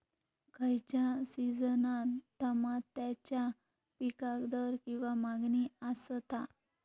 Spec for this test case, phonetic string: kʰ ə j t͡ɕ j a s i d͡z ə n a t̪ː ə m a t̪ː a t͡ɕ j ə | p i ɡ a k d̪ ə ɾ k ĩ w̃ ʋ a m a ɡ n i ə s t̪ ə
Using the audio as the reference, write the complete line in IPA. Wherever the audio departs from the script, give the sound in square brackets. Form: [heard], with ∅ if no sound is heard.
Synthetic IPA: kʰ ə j t͡ɕ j a s i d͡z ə n a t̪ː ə m a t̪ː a t͡ɕ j [a] | p i [k] a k d̪ ə ɾ k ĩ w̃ ʋ a m a ɡ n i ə s t̪ [a]